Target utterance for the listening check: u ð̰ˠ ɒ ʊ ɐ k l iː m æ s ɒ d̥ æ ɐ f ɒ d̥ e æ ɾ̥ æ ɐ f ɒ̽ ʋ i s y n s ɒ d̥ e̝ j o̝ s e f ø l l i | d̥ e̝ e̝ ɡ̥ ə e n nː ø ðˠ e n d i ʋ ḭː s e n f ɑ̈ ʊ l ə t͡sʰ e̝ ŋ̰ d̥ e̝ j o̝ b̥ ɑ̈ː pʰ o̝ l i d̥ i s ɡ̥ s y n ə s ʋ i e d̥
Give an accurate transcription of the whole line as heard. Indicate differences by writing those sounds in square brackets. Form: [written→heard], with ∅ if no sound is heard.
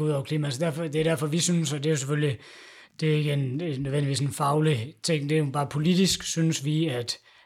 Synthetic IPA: u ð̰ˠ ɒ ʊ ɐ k l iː m æ s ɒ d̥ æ ɐ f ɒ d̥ e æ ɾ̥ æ ɐ f ɒ̽ ʋ i s y n s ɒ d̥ e̝ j o̝ s e f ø l l i | d̥ e̝ e̝ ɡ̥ ə e n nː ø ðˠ e n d i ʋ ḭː s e n f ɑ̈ ʊ l ə t͡sʰ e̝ ŋ̰ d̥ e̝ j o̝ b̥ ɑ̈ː pʰ o̝ l i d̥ i s ɡ̥ s y n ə s ʋ i [e→æ] d̥